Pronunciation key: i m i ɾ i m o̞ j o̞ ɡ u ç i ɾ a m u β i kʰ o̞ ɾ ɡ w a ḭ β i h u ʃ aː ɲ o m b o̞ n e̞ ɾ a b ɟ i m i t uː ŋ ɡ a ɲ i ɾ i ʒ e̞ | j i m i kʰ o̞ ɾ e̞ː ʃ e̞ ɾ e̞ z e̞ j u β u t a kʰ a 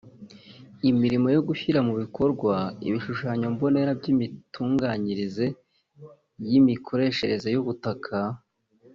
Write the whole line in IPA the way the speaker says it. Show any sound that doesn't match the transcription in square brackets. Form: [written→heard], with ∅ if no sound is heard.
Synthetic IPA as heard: i m i ɾ i m o̞ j o̞ ɡ u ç i ɾ a m u β i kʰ o̞ ɾ ɡ w a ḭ β i [h→ʃ] u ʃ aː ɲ o m b o̞ n e̞ ɾ a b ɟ i m i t uː ŋ ɡ a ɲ i ɾ i [ʒ→z] e̞ | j i m i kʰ o̞ ɾ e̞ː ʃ e̞ ɾ e̞ z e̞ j u β u t a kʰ a